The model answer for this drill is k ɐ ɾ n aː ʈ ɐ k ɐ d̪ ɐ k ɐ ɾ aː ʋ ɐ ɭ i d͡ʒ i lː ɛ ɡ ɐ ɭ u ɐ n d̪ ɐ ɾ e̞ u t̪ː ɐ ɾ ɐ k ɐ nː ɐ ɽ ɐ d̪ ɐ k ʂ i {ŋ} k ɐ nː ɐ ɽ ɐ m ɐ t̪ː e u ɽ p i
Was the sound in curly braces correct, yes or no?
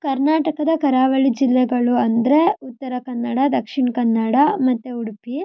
no